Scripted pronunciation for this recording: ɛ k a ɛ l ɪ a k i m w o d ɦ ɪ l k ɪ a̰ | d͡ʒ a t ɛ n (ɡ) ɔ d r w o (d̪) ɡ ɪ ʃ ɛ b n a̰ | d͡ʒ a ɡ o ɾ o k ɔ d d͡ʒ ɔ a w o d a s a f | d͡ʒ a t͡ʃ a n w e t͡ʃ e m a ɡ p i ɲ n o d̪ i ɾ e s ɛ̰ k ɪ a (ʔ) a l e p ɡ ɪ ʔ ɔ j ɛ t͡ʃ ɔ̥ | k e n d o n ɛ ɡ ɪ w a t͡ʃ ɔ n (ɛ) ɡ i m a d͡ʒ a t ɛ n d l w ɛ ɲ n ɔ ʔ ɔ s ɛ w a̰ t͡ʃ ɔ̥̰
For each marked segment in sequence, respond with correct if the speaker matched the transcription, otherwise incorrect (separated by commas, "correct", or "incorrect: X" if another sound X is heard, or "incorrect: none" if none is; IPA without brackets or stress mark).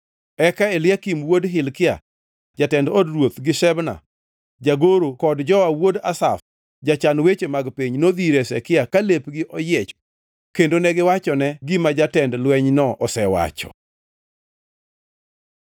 incorrect: d, incorrect: t̪, incorrect: k, correct